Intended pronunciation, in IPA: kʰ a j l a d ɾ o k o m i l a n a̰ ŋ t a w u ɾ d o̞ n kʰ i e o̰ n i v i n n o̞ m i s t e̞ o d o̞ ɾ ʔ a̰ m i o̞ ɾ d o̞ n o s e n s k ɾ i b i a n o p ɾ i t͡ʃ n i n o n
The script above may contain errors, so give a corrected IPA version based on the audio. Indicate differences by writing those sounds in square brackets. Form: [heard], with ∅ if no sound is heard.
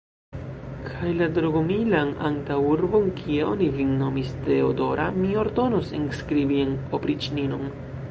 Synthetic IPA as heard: kʰ a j l a d ɾ o [ɡ] o m i l a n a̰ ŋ t a w u ɾ [b] o̞ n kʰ i e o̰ n i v i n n o̞ m i s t e̞ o d o̞ ɾ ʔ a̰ m i o̞ ɾ d o̞ n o s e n s k ɾ i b i [e] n o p ɾ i t͡ʃ n i n o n